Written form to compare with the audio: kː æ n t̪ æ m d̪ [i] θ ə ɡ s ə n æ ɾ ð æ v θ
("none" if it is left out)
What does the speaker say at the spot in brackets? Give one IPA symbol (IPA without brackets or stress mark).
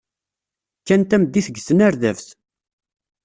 i